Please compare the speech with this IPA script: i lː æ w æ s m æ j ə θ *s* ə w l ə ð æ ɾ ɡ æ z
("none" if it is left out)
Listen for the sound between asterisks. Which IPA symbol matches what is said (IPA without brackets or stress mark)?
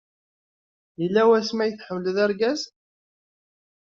ħ